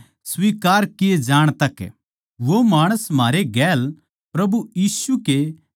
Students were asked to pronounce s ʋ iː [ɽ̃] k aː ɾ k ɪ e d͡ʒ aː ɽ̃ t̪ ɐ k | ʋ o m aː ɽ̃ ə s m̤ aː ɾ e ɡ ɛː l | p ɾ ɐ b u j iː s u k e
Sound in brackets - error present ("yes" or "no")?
yes